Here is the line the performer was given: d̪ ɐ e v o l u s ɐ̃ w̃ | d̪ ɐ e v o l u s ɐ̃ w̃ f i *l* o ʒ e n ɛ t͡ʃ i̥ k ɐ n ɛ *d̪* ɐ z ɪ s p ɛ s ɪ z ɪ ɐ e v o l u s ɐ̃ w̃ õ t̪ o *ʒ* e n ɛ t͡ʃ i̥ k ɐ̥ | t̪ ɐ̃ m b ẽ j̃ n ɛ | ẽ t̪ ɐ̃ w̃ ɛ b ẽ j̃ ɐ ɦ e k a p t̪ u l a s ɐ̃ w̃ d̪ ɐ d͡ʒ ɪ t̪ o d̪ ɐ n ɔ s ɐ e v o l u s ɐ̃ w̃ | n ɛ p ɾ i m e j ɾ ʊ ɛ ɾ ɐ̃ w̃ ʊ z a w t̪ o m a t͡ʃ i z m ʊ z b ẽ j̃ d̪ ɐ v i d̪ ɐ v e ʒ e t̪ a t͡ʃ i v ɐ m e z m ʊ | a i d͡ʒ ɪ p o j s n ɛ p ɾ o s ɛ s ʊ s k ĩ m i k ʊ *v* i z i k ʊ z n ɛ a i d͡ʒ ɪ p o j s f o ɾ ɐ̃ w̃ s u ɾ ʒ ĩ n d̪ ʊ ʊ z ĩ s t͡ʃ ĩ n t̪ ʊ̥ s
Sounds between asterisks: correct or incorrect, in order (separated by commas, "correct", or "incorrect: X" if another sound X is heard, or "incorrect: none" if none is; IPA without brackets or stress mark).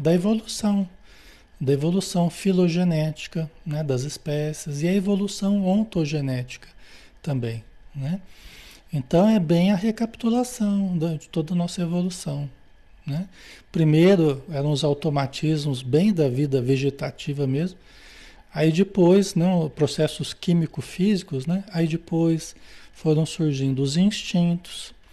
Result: correct, correct, correct, incorrect: f